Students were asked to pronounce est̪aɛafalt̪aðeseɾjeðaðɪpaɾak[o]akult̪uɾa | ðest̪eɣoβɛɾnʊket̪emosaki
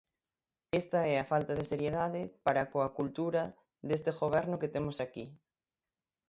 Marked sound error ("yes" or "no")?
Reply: no